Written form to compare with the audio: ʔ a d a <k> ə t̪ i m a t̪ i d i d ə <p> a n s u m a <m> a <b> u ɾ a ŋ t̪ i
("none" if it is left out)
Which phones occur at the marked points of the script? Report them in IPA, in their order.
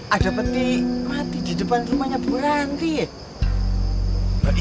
p, p, ɲ, b

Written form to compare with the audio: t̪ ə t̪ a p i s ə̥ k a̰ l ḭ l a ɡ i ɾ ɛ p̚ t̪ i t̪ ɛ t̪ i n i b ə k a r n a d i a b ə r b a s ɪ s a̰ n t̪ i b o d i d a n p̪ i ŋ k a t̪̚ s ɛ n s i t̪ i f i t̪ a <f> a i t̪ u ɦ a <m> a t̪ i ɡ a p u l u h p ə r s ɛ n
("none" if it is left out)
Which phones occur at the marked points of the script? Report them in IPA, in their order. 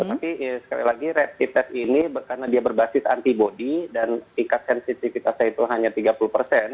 s, ɲ

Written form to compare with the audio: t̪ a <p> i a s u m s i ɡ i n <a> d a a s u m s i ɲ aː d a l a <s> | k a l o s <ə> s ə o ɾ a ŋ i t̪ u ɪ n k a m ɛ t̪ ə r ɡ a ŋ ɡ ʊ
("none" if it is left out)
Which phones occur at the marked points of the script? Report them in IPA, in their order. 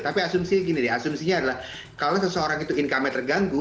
p, i, h, ə

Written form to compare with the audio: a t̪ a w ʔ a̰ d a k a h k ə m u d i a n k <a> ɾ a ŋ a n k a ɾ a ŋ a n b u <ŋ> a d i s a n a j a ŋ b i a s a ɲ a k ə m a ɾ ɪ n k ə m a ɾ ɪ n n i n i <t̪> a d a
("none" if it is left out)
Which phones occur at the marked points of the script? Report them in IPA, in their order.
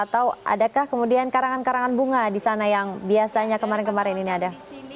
a, ŋ, none

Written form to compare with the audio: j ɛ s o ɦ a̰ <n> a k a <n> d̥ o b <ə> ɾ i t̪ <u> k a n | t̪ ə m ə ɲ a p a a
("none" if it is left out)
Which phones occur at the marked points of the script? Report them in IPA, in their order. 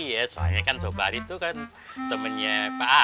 ɲ, n, a, u

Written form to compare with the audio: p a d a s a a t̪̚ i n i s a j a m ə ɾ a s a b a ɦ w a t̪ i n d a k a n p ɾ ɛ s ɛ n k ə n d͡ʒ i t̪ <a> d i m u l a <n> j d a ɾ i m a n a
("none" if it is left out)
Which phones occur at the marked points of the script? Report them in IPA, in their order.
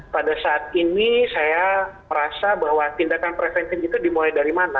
a, none

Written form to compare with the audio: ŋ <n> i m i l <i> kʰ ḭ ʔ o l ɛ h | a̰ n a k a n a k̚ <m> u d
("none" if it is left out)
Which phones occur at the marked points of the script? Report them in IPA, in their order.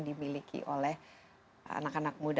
d, i, m

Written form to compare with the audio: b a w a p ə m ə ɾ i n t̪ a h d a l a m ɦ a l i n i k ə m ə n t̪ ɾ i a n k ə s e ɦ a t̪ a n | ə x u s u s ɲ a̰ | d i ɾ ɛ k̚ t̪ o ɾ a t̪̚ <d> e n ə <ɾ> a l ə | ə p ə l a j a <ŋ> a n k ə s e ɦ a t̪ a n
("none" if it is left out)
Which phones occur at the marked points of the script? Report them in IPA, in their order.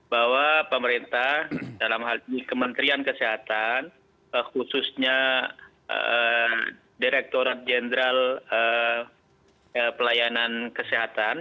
d͡ʒ, ɾ, n

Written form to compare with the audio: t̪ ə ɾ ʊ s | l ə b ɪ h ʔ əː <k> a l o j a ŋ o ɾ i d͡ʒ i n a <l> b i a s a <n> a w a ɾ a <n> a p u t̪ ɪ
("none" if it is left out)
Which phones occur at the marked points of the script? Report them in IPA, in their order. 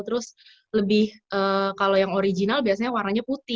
k, l, ɲ, ɲ

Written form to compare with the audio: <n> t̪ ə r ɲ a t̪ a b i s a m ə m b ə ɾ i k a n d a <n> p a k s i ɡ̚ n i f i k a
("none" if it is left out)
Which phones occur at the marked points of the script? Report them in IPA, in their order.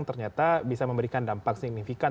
ŋ, m

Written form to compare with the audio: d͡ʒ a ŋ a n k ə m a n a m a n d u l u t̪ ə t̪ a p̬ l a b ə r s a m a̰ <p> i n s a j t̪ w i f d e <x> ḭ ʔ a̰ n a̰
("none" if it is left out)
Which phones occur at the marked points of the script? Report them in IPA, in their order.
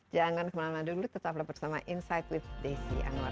ʔ, s

